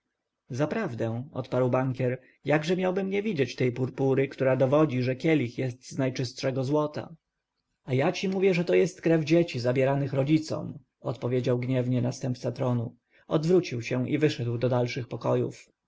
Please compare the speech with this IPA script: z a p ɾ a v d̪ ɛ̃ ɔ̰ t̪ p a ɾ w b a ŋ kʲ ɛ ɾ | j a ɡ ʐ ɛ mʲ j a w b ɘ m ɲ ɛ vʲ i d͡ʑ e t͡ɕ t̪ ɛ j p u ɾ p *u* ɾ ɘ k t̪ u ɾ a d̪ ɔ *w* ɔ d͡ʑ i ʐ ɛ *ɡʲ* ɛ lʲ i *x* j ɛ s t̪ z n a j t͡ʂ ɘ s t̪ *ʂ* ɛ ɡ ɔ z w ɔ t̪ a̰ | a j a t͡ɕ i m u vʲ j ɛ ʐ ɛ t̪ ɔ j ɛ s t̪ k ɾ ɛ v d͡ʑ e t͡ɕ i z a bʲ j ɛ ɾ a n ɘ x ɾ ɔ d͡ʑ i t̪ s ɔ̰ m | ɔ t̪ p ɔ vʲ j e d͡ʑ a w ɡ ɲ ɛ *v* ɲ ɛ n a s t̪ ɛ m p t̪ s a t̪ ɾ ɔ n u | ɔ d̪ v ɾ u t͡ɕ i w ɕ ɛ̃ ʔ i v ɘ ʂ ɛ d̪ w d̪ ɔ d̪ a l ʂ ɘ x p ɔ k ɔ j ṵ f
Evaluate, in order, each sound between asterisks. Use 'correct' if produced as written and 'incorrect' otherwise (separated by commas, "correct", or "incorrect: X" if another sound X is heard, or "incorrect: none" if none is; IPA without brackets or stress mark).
correct, incorrect: v, incorrect: kʲ, correct, correct, correct